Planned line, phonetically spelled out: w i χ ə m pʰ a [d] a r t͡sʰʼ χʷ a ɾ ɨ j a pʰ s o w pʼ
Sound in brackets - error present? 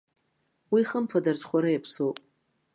no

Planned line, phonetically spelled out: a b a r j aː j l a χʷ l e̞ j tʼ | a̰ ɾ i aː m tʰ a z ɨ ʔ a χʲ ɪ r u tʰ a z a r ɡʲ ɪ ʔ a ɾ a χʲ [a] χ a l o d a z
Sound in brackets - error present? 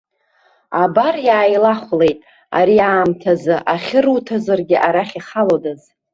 yes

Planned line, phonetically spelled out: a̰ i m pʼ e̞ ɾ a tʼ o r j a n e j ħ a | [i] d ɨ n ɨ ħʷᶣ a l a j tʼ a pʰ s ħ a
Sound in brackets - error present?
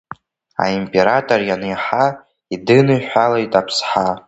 no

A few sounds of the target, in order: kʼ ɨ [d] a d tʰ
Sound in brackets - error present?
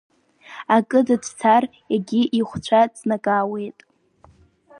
no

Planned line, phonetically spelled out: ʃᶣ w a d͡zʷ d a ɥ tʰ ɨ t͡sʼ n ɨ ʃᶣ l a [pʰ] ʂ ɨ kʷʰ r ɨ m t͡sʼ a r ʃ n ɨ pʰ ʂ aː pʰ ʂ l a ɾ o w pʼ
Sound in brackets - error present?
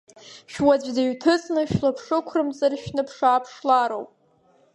no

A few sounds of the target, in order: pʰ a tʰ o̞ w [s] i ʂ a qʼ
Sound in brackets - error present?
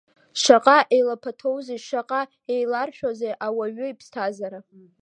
yes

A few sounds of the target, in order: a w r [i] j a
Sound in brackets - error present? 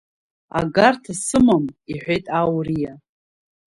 no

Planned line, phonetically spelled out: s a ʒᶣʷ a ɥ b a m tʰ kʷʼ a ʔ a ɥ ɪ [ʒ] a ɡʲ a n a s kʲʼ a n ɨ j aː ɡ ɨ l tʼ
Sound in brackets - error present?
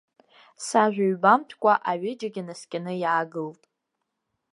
yes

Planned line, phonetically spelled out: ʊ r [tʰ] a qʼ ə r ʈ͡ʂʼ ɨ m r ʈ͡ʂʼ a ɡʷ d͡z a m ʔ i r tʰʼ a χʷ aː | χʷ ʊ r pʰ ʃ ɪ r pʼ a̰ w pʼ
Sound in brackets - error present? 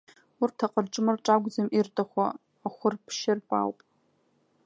no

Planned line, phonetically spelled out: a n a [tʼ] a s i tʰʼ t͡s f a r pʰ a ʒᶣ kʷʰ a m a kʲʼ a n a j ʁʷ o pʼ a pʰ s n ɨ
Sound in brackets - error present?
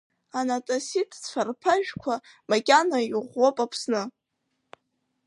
no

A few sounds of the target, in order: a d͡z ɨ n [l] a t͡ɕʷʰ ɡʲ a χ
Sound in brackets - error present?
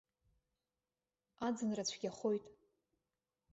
yes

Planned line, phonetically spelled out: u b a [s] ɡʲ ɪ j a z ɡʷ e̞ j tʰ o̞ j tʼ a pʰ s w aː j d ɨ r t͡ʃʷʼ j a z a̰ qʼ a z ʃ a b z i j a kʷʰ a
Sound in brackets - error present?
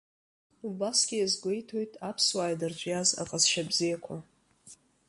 no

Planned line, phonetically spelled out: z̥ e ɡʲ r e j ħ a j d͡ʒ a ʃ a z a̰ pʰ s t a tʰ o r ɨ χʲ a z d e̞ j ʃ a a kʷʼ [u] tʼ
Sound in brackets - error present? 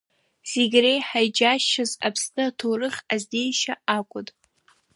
yes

